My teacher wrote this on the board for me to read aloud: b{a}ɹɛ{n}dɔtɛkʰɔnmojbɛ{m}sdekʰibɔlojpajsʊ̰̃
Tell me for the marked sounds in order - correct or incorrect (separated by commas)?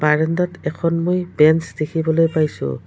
correct, correct, incorrect